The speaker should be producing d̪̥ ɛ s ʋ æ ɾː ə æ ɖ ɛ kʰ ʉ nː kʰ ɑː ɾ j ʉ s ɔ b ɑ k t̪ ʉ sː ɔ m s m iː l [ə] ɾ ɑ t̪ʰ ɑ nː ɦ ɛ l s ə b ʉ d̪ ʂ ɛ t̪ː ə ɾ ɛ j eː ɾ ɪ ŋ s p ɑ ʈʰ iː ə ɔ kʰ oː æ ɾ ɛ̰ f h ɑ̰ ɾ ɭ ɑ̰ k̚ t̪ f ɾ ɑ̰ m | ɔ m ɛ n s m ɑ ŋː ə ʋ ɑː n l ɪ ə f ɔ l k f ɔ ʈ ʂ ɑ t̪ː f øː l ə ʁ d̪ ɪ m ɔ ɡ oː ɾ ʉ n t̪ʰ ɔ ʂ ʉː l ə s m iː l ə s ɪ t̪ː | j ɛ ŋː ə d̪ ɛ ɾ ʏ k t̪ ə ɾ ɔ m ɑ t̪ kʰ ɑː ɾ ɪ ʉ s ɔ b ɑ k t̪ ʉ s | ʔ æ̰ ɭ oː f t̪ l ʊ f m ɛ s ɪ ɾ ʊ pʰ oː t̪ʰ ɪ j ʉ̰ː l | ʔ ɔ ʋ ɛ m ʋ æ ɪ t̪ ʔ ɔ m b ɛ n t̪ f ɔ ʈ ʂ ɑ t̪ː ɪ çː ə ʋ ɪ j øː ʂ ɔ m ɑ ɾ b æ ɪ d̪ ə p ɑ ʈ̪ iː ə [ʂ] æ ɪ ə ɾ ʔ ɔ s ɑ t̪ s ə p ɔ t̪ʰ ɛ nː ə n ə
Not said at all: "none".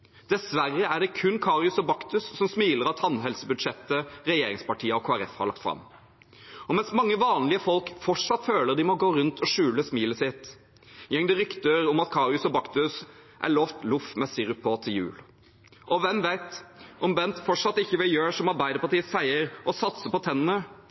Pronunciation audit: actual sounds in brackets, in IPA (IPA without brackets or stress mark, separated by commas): ə, s